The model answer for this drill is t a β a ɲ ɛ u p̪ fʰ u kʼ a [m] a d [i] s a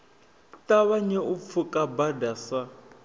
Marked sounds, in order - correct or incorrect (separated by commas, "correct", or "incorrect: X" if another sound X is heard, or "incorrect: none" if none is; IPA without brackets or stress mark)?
incorrect: b, incorrect: a